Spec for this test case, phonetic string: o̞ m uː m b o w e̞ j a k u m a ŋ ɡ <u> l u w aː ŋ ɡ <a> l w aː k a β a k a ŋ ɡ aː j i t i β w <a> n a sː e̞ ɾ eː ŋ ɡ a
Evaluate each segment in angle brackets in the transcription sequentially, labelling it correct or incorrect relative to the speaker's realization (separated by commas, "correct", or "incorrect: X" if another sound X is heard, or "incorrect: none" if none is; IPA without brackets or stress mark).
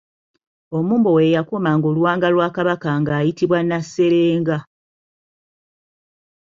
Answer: incorrect: o, correct, correct